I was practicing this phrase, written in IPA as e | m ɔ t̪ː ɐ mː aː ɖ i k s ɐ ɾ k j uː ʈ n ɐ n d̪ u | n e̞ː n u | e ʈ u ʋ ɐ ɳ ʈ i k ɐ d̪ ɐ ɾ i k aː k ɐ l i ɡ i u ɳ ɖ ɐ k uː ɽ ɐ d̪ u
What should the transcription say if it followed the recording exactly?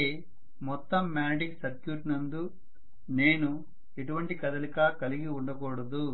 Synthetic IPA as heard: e | m ɔ t̪ː ɐ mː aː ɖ i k s ɐ ɾ k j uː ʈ n ɐ n d̪ u | n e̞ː n u | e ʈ u ʋ ɐ ɳ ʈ i k ɐ d̪ ɐ l i k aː k ɐ l i ɡ i u ɳ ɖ ɐ k ɔː ɽ ɐ d̪ u

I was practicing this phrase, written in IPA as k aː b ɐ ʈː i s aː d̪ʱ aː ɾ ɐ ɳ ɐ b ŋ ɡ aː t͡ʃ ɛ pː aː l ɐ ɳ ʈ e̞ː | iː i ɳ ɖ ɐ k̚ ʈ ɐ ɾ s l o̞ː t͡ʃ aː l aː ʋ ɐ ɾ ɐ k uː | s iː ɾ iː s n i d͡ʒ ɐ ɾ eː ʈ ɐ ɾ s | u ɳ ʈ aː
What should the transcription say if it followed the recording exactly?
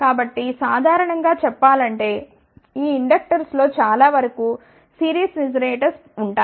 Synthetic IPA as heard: k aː b ɐ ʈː i s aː d̪ʱ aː ɾ ɐ ɳ ɐ ŋ ɡ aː t͡ʃ ɛ pː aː l ɐ ɳ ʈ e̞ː | iː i ɳ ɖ ɐ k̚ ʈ ɐ ɾ s l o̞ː t͡ʃ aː l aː ʋ ɐ ɾ ɐ k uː | s iː ɾ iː s n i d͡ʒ ɐ ɾ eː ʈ ɐ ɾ s | u ɳ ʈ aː

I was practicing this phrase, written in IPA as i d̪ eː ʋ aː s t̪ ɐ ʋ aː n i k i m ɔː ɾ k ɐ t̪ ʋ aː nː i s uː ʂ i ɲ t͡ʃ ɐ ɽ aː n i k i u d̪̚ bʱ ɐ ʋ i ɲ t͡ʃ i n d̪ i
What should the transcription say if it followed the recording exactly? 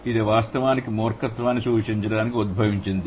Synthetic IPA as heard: i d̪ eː ʋ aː s t̪ ɐ ʋ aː n i k i m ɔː ɾ k ɐ t̪ ʋ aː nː i s uː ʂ i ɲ t͡ʃ ɐ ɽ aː n i k i u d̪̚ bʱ ɐ ʋ i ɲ t͡ʃ i n d̪ i

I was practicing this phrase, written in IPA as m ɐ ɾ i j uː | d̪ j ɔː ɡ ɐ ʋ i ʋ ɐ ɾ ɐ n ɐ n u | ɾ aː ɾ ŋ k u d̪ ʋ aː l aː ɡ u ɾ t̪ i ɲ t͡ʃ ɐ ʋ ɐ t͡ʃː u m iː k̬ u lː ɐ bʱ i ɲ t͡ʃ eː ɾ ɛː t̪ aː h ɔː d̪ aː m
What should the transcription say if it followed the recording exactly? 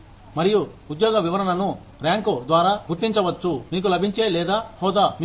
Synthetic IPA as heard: m ɐ ɾ i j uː | d̪ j ɔː ɡ ɐ ʋ i ʋ ɐ ɾ ɐ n ɐ n u | ɾ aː ŋ k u d̪ ʋ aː ɾ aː ɡ u ɾ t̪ i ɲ t͡ʃ ɐ ʋ ɐ t͡ʃː u m iː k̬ u l ɐ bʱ i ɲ t͡ʃ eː l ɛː d̪ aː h ɔː d̪ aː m

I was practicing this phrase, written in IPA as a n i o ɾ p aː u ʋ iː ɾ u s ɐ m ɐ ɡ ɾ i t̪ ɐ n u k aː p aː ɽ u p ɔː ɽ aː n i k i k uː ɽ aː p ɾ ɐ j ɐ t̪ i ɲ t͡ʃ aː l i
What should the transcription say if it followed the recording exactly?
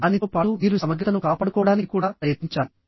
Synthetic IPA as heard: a n i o p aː u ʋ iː ɾ u s ɐ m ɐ ɡ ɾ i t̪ ɐ n u k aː p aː ɽ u k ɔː ɽ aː n i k i k uː ɽ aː p ɾ ɐ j ɐ t̪ i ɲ t͡ʃ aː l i

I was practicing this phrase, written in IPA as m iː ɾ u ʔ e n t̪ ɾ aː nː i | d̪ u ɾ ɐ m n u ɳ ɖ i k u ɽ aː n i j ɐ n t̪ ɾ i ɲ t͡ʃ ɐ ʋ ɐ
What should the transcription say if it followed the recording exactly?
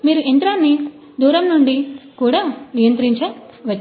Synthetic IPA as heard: m iː ɾ u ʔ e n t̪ ɾ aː nː i | d̪ uː ɾ ɐ m n u ɳ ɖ i k uː ɽ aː n i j ɐ n t̪ ɾ i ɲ t͡ʃ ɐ ʋ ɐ

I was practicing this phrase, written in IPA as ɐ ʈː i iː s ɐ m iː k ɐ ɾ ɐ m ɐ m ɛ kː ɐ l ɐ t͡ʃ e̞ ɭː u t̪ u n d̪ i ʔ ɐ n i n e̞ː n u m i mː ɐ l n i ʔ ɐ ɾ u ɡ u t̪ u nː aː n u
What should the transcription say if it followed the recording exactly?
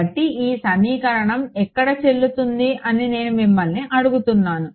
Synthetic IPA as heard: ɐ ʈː i iː s ɐ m iː k ɐ ɾ ɐ ɳ ɐ m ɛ kː ɐ ɽ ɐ t͡ʃ e̞ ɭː u t̪ u n d̪ i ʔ ɐ n i n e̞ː n u m i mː ɐ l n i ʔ ɐ ɽ u ɡ u t̪ u nː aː n u

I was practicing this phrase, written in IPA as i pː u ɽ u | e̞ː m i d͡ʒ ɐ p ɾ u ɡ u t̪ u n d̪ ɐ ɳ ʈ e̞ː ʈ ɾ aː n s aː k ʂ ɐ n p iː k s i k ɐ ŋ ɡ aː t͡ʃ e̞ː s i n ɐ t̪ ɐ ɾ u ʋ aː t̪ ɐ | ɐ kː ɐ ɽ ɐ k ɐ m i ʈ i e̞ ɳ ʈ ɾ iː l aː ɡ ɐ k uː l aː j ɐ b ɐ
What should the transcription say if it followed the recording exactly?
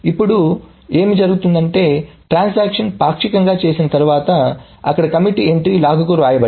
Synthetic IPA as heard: i pː u ɽ u | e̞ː m i d͡ʒ ɐ ɾ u ɡ u t̪ u n d̪ ɐ ɳ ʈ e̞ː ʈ ɾ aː n s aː k ʂ ɐ n p aː k ʂ i k ɐ ŋ ɡ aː t͡ʃ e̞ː s i n ɐ t̪ ɐ ɾ u ʋ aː t̪ ɐ | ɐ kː ɐ ɽ ɐ k ɐ m i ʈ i e̞ ɳ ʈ ɾ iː l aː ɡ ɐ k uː ɾ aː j ɐ b ɐ

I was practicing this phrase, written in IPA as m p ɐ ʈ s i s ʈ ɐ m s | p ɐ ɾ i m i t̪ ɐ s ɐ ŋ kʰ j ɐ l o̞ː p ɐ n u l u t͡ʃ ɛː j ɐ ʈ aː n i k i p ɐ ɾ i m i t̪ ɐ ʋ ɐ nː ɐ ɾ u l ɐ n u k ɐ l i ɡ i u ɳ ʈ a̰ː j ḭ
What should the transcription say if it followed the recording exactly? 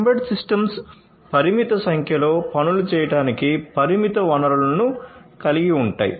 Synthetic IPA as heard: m b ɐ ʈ s i s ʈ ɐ m s | p ɐ ɾ i m i t̪ ɐ s ɐ ŋ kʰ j ɐ l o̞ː p ɐ n u l u t͡ʃ ɛː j ɐ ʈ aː n i k i p ɐ ɾ i m i t̪ ɐ ʋ ɐ n ɐ ɾ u l ɐ n u k ɐ l i ɡ i u ɳ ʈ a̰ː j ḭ

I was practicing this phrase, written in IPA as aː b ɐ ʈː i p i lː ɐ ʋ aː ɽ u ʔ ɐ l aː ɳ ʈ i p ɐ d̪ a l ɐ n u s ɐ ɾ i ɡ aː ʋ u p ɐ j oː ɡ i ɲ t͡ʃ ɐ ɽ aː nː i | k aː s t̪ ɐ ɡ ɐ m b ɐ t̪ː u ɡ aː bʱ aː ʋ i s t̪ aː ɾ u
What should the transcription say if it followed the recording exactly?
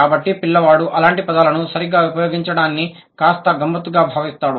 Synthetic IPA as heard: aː b ɐ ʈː i p i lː ɐ ʋ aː ɽ u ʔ ɐ l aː ɳ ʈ i p ɐ d̪ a l ɐ n u s ɐ ɾ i ɡ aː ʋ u p ɐ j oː ɡ i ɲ t͡ʃ ɐ ɽ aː nː i | k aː s t̪ ɐ ɡ ɐ m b ɐ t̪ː u ɡ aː bʱ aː ʋ i s t̪ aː ɽ u

